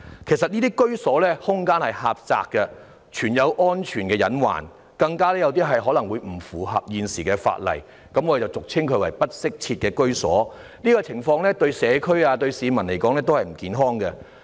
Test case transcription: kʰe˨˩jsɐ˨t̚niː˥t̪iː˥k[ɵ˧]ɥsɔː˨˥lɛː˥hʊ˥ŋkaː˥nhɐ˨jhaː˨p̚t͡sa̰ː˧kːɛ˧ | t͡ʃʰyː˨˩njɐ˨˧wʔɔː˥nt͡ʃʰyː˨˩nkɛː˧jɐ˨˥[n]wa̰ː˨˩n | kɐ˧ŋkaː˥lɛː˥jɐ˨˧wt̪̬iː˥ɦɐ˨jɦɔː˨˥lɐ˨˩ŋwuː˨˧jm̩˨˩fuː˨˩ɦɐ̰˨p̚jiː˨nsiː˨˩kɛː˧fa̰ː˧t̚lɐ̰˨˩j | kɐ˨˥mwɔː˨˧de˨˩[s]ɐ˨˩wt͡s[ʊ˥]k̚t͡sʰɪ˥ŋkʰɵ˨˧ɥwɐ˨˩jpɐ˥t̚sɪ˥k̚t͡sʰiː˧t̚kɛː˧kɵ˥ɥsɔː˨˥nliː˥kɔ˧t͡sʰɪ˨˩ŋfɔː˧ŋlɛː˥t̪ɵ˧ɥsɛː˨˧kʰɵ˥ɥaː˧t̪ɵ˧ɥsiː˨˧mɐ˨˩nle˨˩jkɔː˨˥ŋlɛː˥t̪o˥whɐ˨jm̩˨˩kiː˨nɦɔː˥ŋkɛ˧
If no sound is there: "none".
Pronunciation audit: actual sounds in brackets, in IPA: ɵ˥, n, t͡s, ʊ˨

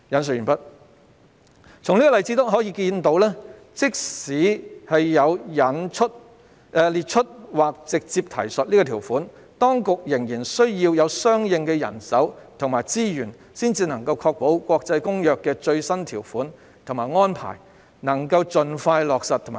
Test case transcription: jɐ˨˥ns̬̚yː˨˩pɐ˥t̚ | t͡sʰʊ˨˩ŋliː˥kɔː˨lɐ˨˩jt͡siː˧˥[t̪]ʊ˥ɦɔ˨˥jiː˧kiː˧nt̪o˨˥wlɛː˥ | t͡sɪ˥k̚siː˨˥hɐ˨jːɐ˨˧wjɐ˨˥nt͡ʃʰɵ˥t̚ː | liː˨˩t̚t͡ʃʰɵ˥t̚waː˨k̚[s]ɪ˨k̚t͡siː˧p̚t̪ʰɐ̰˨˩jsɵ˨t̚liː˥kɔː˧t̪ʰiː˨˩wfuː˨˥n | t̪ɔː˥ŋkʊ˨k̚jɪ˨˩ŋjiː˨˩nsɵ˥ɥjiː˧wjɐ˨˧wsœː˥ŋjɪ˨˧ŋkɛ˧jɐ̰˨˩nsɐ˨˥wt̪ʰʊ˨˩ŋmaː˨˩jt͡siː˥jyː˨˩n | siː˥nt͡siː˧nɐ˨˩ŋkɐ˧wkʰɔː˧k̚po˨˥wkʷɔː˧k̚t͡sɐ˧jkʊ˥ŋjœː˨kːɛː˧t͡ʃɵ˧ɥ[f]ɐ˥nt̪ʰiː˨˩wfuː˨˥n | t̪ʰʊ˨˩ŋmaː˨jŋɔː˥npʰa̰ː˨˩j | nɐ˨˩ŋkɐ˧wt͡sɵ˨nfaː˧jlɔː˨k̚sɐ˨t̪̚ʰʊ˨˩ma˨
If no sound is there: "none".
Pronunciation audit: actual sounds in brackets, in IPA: t̪, t͡s, s

